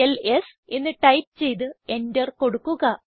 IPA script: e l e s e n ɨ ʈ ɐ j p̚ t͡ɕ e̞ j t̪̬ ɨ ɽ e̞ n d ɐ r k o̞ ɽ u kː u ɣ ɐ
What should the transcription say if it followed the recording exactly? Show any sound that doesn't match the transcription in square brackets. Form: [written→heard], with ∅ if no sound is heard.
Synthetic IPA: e l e s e [n→nː] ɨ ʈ ɐ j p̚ t͡ɕ e̞ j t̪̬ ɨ [ɽ→∅] e̞ n d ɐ r k o̞ ɽ u kː u ɣ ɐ

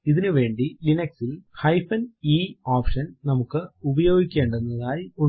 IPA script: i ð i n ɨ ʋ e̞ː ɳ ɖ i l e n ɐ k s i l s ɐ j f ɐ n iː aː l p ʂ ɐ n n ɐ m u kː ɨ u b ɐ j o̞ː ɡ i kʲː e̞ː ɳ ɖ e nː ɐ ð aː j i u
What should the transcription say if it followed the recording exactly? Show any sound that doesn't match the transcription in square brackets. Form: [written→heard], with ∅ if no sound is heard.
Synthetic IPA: i ð i n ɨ ʋ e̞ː ɳ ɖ i l [e→i] n ɐ k s i l [s→h] ɐ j f ɐ n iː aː [l→∅] p ʂ ɐ n n ɐ m u kː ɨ u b ɐ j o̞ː ɡ i kʲː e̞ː ɳ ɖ e nː ɐ ð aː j i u

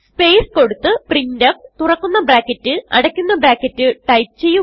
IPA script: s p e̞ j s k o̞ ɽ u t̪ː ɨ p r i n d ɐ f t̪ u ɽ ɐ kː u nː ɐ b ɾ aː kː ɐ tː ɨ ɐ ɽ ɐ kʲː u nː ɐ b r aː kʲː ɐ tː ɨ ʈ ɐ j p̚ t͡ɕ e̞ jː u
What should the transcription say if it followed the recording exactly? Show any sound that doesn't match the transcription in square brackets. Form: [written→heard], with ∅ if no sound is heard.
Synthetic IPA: s p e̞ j s k o̞ ɽ u t̪ː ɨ p r i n d ɐ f t̪ u [ɽ→r] ɐ kː u nː ɐ b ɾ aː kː ɐ tː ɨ ɐ ɽ ɐ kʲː u nː ɐ b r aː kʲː ɐ tː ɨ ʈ ɐ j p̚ t͡ɕ e̞ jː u

